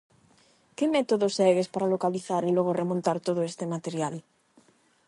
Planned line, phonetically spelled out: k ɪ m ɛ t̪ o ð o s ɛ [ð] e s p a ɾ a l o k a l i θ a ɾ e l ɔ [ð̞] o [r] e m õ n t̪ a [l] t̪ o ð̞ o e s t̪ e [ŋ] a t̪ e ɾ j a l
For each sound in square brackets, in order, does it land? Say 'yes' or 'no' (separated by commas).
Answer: no, no, yes, no, no